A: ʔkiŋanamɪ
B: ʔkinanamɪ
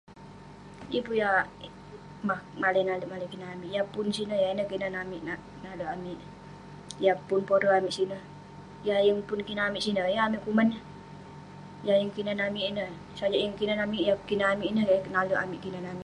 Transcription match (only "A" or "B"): B